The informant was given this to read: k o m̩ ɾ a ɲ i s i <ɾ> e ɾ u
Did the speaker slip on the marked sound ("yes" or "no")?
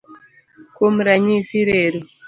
no